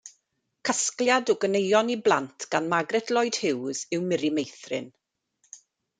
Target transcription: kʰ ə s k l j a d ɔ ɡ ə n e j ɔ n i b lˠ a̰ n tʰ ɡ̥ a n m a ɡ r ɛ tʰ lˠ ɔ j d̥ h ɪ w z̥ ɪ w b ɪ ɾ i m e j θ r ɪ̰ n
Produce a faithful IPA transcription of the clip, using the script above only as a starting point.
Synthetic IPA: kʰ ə s k l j a d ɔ ɡ ə n e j ɔ n i b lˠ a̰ n tʰ ɡ̥ a n m a ɡ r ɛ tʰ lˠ ɔ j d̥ h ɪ w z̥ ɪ w m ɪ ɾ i m e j θ r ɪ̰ n